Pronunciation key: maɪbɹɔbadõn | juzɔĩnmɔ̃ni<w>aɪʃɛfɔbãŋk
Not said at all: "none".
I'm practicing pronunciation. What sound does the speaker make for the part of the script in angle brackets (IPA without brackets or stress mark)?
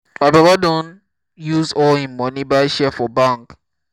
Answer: b